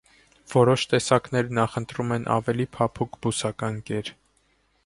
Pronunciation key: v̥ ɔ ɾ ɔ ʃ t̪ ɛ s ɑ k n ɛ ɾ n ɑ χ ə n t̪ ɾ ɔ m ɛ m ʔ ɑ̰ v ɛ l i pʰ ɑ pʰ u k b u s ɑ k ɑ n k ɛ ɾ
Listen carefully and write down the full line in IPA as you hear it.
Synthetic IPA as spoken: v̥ ɔ ɾ ɔ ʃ t̪ ɛ s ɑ k n ɛ ɾ n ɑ χ ə n t̪ ɾ u m ɛ n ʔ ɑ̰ v ɛ l i pʰ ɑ pʰ u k b u s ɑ k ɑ n k ɛ ɾ